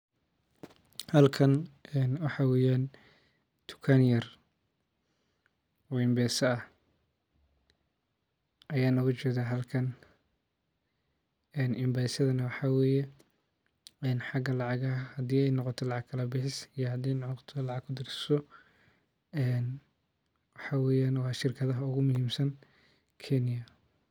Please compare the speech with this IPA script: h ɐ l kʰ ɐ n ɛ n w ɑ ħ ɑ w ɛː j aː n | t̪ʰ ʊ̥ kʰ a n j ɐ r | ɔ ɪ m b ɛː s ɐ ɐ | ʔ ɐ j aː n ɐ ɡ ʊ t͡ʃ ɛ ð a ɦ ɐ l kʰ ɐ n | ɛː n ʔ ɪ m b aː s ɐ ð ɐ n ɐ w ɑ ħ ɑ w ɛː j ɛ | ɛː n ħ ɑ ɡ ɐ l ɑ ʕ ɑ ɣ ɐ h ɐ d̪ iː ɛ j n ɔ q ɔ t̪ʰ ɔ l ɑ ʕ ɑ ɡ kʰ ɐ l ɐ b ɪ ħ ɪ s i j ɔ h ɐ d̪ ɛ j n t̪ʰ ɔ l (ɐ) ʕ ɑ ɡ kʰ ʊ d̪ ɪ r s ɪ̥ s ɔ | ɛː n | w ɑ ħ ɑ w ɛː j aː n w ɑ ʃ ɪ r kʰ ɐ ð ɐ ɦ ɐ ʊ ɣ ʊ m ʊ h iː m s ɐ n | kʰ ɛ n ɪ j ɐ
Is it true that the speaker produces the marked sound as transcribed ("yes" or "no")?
no